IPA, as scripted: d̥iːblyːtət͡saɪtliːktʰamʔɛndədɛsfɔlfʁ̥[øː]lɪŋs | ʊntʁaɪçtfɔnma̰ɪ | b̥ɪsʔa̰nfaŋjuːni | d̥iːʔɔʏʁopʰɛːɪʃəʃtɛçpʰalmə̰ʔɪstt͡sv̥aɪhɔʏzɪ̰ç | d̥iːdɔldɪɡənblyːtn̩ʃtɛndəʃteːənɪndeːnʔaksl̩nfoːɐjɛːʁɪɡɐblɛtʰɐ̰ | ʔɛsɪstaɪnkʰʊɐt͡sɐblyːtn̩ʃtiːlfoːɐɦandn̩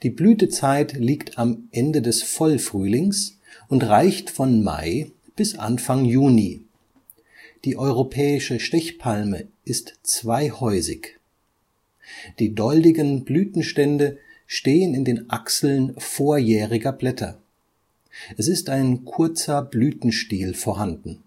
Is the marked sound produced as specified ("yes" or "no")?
no